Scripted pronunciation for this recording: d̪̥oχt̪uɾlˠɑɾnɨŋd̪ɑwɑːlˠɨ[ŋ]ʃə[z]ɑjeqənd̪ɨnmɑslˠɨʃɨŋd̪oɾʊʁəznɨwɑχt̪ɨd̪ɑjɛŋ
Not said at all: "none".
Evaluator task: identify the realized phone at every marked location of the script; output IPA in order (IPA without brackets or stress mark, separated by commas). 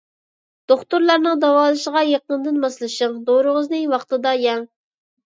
none, ʁ